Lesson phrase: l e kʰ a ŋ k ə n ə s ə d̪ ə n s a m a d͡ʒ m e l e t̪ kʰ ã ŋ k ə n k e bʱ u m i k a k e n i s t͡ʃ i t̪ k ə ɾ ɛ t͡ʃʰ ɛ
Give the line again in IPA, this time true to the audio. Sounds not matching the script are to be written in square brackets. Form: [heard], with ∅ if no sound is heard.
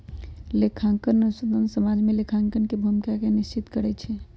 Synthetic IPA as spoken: l e kʰ a ŋ k ə n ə s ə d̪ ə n s [ə] m a d͡ʒ m e l e [∅] kʰ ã ŋ k ə n k e bʱ u m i k a k e n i s t͡ʃ i t̪ k ə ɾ ɛ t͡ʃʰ ɛ

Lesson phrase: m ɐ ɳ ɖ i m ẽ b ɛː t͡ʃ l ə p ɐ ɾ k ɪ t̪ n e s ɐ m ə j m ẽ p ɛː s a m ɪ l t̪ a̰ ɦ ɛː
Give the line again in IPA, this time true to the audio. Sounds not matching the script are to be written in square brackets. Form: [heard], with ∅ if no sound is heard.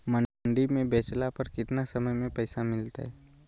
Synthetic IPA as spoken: m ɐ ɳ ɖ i m ẽ b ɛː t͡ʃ l [a] p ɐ ɾ k ɪ t̪ n [a] s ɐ m ə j m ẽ p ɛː s a m ɪ l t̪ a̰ ɦ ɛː

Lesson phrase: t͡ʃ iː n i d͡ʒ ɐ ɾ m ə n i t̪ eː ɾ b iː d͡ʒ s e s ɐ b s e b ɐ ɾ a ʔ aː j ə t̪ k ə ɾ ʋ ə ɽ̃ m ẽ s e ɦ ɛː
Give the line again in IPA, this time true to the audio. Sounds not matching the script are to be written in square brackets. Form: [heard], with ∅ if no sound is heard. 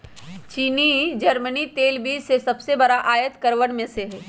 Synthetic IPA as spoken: t͡ʃ iː n i d͡ʒ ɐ ɾ m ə n i t̪ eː [l] b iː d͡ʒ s e s ɐ b s e b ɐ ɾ a ʔ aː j ə t̪ k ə ɾ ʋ ə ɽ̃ m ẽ s e ɦ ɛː

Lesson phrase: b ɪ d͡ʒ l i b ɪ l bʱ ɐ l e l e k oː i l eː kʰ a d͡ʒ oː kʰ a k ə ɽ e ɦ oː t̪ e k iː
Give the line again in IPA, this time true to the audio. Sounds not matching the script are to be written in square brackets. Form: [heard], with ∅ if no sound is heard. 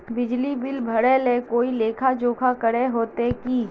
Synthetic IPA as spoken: b ɪ d͡ʒ l i b ɪ l bʱ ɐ [ɽ] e l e k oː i l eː kʰ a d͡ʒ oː kʰ a k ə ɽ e ɦ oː t̪ e k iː

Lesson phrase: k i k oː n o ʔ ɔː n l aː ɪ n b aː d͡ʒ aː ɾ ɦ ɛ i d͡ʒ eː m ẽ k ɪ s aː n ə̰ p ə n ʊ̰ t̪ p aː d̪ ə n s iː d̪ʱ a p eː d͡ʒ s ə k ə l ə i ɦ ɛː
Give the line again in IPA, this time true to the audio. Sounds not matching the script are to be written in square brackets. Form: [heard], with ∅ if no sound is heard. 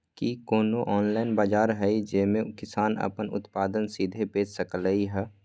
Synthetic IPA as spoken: k i k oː n o ʔ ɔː n l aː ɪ n b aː d͡ʒ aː ɾ ɦ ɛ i d͡ʒ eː m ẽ k ɪ s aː n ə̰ p ə n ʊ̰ t̪ p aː d̪ ə n s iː d̪ʱ [e] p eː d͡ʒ s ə k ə l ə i ɦ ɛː

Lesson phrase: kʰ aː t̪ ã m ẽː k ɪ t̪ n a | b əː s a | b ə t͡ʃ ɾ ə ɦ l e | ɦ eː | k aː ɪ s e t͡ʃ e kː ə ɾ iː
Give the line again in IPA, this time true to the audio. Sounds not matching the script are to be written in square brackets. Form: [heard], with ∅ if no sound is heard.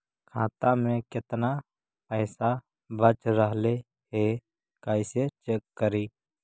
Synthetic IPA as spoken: kʰ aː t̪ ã m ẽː k ɪ t̪ n a | [p] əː s a | b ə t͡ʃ ɾ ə ɦ l e | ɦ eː | k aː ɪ s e t͡ʃ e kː ə ɾ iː

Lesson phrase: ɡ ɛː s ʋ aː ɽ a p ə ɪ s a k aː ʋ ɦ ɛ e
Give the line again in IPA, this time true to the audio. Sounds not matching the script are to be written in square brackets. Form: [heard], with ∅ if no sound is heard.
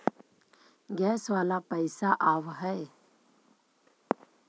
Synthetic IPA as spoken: ɡ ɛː s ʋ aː [l] a p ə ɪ s a [ʔ] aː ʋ ɦ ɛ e

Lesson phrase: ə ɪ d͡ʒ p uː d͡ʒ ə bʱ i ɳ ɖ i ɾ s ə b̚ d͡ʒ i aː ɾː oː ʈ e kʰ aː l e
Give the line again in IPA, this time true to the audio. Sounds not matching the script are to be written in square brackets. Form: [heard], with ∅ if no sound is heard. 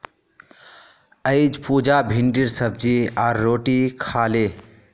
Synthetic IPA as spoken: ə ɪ d͡ʒ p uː d͡ʒ [a] bʱ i ɳ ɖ i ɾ s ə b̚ d͡ʒ i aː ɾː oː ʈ [i] kʰ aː l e

